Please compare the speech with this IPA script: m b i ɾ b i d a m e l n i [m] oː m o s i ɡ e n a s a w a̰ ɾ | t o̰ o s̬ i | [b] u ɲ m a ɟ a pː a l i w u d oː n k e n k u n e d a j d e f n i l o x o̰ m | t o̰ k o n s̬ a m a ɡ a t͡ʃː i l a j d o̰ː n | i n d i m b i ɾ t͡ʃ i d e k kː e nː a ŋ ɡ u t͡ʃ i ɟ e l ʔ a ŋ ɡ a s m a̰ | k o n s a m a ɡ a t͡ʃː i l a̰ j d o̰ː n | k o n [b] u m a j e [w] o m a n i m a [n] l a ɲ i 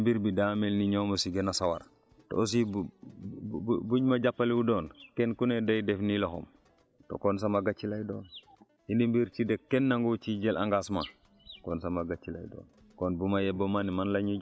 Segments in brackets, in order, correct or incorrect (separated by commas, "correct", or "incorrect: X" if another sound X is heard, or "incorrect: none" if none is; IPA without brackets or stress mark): incorrect: ɲ, correct, correct, incorrect: b, correct